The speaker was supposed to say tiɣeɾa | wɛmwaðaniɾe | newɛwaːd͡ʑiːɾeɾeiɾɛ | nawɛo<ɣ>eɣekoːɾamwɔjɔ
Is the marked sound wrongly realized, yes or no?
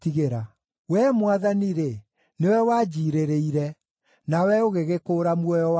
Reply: no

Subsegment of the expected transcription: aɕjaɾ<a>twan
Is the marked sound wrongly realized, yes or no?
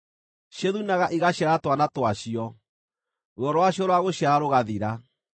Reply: no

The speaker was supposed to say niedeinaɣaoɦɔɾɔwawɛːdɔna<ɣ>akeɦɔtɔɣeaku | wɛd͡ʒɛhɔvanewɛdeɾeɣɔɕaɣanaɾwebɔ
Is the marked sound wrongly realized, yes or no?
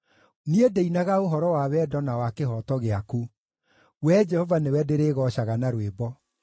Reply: yes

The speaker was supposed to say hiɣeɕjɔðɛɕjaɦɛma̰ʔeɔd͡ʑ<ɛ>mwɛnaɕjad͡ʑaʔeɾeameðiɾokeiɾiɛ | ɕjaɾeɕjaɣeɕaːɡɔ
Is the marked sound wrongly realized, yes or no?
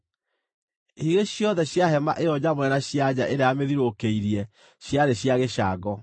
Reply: yes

